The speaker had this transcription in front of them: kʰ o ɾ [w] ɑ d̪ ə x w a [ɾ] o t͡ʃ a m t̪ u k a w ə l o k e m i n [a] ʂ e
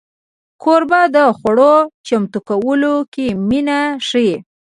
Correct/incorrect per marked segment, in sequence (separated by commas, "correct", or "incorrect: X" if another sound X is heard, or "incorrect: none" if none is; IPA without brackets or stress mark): incorrect: b, incorrect: ɽ, correct